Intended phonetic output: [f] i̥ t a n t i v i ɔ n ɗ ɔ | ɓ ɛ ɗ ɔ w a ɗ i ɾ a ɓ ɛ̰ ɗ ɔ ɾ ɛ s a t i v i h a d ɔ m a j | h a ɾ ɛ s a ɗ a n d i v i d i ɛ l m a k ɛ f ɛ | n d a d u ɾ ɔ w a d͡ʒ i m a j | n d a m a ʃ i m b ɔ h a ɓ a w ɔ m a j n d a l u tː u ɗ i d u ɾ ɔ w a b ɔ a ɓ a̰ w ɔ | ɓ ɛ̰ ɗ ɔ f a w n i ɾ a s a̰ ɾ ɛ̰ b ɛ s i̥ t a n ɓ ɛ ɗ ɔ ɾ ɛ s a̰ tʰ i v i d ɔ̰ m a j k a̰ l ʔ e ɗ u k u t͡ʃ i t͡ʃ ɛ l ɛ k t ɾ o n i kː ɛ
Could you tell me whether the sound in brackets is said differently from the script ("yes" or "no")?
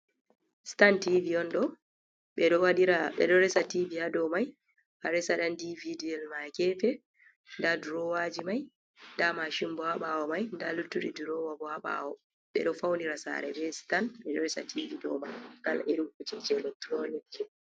yes